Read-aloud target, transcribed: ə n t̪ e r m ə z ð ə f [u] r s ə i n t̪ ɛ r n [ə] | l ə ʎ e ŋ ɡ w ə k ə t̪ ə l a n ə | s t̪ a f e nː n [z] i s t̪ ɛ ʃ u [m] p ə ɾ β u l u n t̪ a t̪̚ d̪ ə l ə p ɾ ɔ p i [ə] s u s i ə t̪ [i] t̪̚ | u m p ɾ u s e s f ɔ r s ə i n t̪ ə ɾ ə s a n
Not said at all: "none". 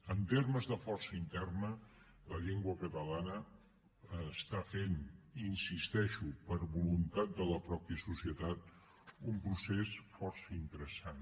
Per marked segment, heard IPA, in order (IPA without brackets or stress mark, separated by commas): ɔ, ə, s, none, ə, a